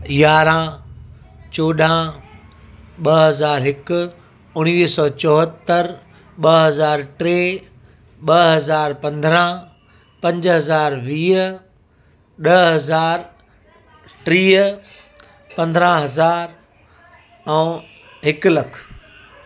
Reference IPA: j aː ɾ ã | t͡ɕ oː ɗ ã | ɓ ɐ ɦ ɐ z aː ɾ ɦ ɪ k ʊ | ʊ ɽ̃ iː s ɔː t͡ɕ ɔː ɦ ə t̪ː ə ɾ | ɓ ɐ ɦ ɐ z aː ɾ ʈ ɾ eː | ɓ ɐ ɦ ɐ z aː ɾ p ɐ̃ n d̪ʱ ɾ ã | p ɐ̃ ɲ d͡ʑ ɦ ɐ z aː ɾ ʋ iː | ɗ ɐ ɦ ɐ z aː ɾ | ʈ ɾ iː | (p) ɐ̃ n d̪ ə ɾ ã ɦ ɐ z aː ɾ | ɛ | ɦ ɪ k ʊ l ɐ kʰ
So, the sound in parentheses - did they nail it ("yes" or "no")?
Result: yes